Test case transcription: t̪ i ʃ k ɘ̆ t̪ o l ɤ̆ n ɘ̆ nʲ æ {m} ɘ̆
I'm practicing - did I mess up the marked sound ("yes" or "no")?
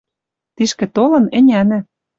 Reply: yes